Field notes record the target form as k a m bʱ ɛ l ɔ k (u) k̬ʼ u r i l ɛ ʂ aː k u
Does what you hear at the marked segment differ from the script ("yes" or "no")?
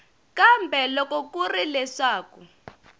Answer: yes